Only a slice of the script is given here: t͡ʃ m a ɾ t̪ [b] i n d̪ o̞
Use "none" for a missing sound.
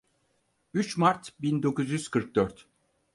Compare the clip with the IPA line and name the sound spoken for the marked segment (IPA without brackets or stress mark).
b